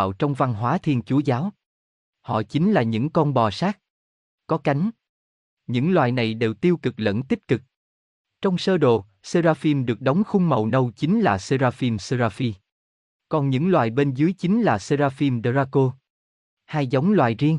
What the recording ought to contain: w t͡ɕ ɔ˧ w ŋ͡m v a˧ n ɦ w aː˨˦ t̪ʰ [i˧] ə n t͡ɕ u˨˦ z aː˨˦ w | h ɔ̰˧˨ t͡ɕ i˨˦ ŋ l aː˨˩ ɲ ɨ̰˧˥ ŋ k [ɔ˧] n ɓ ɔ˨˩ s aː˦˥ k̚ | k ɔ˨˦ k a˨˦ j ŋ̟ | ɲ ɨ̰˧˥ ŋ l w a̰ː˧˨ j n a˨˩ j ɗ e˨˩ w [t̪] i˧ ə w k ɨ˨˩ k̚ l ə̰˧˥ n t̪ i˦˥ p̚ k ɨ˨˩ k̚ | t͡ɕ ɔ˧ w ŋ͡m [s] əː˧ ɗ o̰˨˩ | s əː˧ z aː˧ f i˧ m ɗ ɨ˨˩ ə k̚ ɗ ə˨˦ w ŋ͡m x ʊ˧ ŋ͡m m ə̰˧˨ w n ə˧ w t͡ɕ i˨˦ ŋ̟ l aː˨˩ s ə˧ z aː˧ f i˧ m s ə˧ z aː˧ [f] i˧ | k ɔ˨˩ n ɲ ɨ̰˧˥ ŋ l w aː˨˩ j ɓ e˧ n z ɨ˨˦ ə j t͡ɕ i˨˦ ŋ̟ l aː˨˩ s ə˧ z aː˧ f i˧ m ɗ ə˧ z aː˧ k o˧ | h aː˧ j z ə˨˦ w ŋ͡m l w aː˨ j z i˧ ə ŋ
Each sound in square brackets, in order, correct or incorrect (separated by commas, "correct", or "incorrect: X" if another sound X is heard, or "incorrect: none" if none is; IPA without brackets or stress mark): correct, correct, correct, correct, correct